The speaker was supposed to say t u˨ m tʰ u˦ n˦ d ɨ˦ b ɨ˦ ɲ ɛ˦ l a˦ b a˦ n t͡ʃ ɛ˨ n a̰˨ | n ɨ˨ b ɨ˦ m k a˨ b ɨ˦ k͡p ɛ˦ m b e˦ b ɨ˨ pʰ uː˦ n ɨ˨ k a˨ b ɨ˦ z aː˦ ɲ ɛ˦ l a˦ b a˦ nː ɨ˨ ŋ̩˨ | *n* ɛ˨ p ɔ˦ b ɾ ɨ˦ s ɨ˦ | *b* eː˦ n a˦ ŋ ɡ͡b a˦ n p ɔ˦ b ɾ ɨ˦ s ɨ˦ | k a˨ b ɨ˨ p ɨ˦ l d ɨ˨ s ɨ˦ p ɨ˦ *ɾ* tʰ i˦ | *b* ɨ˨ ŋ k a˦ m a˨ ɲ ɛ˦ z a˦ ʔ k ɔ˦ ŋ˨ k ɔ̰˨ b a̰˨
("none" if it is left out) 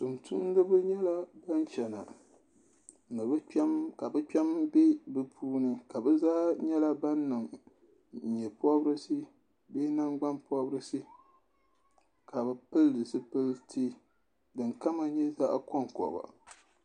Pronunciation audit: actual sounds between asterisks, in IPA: ɲ, b, l, d

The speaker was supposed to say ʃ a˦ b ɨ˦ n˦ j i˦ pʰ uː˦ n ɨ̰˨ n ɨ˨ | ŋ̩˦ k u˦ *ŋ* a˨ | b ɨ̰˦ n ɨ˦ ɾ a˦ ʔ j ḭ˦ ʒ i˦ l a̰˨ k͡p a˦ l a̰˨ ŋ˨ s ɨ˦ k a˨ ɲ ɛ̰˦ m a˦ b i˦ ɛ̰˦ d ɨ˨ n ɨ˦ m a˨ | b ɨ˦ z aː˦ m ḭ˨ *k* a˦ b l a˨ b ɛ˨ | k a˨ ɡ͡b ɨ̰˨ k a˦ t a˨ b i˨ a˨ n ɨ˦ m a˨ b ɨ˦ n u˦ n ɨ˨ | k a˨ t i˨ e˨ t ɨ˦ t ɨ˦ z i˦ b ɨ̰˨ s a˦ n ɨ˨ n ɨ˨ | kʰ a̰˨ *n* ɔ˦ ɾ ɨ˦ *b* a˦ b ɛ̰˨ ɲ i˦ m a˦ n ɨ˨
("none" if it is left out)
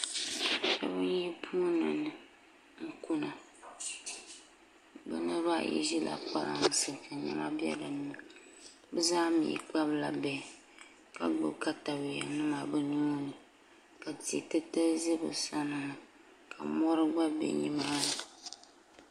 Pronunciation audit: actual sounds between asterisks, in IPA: n, k͡p, m, ɡ͡b

